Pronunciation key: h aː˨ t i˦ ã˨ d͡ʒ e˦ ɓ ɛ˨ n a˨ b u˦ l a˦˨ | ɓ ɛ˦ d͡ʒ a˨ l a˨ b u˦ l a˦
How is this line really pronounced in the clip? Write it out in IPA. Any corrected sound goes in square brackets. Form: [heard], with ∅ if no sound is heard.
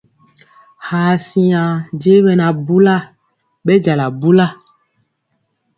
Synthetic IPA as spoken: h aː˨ [s] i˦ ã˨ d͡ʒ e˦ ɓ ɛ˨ n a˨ b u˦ l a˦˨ | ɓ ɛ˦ d͡ʒ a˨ l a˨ b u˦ l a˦